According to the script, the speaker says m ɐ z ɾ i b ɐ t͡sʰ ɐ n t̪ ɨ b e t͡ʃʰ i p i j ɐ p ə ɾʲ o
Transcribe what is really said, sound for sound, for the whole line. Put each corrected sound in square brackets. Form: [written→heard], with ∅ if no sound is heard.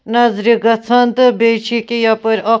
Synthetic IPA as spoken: [m→n] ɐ z ɾ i [b→ɡ] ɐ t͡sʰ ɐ n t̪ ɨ b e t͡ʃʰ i [p→k] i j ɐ p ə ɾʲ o